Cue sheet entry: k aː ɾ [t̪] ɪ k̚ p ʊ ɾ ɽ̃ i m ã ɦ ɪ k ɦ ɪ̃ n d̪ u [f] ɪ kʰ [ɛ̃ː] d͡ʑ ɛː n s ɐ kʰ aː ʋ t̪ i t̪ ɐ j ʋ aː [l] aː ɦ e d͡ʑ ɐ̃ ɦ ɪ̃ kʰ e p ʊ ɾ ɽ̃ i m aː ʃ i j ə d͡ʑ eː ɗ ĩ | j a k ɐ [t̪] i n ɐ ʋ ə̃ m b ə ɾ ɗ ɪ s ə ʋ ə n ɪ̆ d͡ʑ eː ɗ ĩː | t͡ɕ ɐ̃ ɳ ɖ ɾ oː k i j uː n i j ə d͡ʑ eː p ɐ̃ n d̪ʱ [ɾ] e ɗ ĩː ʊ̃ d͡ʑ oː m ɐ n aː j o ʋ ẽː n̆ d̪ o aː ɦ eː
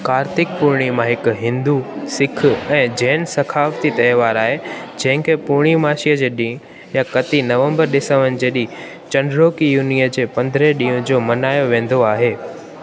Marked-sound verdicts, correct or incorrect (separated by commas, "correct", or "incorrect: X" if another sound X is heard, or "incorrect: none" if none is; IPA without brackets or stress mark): correct, incorrect: s, correct, incorrect: ɾ, correct, correct